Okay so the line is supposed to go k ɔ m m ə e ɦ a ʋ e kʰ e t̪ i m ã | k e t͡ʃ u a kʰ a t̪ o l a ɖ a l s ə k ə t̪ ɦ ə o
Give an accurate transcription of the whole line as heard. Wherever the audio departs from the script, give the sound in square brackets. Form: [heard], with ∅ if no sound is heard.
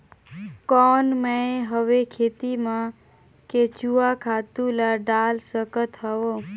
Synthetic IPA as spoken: k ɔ [n] m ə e ɦ [ə] ʋ e kʰ e t̪ i m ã | k e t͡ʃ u a kʰ a t̪ [u] l a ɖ a l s ə k ə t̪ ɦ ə o

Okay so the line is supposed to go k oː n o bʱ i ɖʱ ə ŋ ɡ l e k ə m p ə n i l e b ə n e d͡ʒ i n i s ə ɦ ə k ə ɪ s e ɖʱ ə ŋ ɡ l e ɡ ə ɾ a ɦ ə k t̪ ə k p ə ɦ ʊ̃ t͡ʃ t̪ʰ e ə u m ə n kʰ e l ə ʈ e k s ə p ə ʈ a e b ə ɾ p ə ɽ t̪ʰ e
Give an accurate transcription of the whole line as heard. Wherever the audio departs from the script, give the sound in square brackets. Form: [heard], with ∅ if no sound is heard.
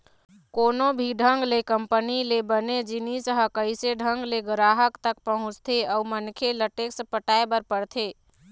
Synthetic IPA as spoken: k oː n o bʱ i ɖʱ ə ŋ ɡ l e k ə m p ə n i l e b ə n e d͡ʒ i n i s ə ɦ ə k ə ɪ s e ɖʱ ə ŋ ɡ l e ɡ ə ɾ a ɦ ə k t̪ ə k p ə ɦ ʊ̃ t͡ʃ t̪ʰ e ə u m ə n kʰ e l ə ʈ e k s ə p ə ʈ a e b ə ɾ p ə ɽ t̪ʰ e

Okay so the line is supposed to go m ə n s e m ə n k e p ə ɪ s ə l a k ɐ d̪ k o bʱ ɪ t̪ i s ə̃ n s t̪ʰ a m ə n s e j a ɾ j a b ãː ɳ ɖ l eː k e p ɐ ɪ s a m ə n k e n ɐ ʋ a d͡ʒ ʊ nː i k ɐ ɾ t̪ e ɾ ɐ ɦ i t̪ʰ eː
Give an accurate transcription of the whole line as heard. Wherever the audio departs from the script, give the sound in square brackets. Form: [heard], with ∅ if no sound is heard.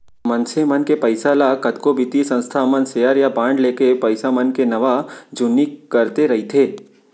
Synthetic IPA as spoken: m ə n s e m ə n k e p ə ɪ s [a] l a k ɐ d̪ k o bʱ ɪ t̪ i s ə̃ n s t̪ʰ a m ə n s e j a ɾ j a b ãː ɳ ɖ l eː k e p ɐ ɪ s a m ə n k e n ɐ ʋ a d͡ʒ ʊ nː i k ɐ ɾ t̪ e ɾ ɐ ɦ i t̪ʰ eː

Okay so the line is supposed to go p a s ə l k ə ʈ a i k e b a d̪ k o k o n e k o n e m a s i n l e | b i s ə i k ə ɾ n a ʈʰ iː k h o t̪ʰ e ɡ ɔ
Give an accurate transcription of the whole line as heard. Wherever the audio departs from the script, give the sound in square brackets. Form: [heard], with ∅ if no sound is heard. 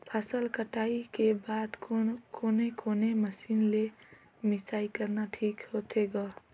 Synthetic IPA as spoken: [pʰ] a s ə l k ə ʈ a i k e b a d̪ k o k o n e k o n e m [ə] s i n l e | [m] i s [a] i k ə ɾ n a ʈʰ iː k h o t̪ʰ e ɡ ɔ

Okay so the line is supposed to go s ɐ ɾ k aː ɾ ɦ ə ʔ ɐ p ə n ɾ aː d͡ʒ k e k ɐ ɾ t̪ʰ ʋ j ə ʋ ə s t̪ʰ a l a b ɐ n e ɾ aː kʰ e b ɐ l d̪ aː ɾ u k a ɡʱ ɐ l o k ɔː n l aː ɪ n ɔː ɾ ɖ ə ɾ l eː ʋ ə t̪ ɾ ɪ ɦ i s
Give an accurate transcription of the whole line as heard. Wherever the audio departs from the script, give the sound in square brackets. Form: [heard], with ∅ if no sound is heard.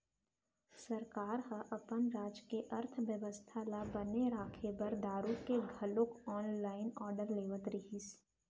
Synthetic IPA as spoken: s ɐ ɾ k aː ɾ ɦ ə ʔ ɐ p ə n ɾ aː d͡ʒ k e [ʔ] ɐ ɾ t̪ʰ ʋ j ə ʋ ə s t̪ʰ a l a b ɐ n e ɾ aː kʰ e b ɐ [ɾ] d̪ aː ɾ u k [e] ɡʱ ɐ l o k ɔː n l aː ɪ n ɔː ɾ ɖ ə ɾ l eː ʋ ə t̪ ɾ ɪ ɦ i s

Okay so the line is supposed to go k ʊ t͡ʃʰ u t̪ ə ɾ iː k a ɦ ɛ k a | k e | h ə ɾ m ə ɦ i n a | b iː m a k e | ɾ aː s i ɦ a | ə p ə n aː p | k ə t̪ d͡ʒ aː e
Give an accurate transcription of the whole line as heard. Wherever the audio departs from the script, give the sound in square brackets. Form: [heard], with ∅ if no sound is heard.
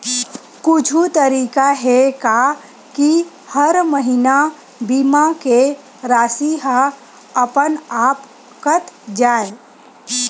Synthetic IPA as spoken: k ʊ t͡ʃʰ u t̪ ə ɾ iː k a ɦ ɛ k a | k [i] | h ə ɾ m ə ɦ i n a | b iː m a k e | ɾ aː s i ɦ a | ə p ə n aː p | k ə t̪ d͡ʒ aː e

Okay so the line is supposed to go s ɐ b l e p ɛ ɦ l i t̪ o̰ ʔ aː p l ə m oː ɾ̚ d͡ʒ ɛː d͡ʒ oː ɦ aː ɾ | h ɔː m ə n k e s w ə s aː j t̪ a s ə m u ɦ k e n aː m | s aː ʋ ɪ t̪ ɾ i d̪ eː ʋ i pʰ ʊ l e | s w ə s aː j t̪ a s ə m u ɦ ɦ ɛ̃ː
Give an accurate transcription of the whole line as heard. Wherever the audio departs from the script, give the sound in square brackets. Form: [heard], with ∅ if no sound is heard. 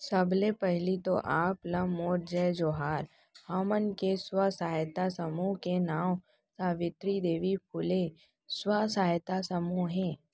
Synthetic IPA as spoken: s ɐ b l e p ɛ ɦ l i t̪ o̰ ʔ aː p l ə m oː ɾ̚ d͡ʒ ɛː d͡ʒ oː ɦ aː ɾ | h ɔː m ə n k e s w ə s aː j t̪ a s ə m u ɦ k e n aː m | s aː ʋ ɪ t̪ ɾ i d̪ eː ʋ i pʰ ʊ l e | s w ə s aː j t̪ a s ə m u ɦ ɦ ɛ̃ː

